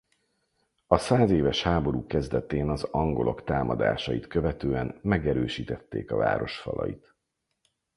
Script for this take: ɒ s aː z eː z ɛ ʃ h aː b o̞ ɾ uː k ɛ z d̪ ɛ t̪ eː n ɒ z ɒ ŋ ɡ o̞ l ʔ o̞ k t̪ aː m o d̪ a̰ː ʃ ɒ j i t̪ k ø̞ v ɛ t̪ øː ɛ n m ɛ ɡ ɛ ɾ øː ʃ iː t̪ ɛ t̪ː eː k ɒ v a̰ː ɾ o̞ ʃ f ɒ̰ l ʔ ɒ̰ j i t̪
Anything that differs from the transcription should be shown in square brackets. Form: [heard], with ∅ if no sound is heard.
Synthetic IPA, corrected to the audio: ɒ s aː z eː [v] ɛ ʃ h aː b o̞ ɾ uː k ɛ z d̪ ɛ t̪ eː n ɒ z ɒ ŋ ɡ o̞ l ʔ o̞ k t̪ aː m [ɒ] d̪ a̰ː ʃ ɒ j i t̪ k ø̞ v ɛ t̪ øː ɛ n m ɛ ɡ ɛ ɾ øː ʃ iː t̪ ɛ t̪ː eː k ɒ v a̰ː ɾ o̞ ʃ f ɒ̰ l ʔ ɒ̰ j i t̪